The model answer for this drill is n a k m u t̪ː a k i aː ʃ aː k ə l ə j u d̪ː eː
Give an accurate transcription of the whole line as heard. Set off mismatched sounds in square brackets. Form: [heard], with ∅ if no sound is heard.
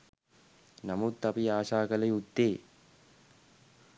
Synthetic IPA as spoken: n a [∅] m u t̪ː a [p] i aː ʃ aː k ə l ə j u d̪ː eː